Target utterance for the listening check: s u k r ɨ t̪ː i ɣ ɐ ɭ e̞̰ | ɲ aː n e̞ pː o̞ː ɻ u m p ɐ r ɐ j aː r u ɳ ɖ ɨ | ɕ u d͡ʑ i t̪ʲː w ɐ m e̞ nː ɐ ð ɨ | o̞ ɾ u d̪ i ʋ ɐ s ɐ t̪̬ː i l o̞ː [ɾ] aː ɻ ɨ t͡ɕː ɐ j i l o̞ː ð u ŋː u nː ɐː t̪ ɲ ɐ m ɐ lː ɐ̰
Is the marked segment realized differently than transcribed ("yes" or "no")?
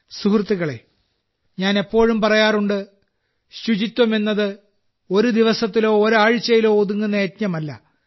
no